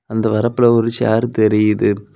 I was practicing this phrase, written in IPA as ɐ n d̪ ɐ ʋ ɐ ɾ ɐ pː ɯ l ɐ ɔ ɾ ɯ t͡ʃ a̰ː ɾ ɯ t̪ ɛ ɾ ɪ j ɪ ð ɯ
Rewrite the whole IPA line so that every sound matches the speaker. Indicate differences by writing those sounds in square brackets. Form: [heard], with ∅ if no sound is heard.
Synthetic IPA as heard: ɐ n d̪ ɐ ʋ ɐ ɾ ɐ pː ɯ l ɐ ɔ ɾ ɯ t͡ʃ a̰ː ɾ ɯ t̪ ɛ ɾ ɪ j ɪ ð ɯ